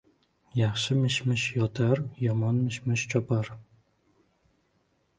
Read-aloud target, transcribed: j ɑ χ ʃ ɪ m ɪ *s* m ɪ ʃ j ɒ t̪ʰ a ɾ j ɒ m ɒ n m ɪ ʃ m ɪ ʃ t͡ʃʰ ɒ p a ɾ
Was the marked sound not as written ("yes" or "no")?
yes